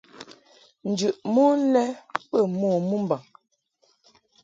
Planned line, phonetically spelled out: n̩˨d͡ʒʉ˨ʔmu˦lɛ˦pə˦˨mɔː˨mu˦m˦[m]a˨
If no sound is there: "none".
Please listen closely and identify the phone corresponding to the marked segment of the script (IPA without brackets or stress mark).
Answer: b